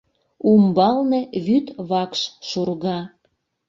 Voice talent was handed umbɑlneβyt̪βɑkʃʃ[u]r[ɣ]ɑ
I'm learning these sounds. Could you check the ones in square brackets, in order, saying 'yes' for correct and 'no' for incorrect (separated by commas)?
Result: yes, yes